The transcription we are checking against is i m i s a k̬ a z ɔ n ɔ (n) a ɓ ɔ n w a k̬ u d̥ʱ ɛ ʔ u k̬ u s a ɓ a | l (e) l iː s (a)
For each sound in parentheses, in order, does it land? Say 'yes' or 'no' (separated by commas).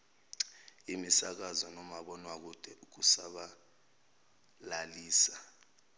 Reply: no, no, yes